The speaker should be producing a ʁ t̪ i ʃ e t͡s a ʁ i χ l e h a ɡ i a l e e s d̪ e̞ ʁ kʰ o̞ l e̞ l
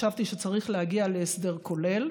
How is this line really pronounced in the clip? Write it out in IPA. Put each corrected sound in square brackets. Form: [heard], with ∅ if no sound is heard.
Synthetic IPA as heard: a [v] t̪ i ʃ e t͡s a ʁ i χ l e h a ɡ i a l e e s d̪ e̞ ʁ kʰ o̞ l e̞ l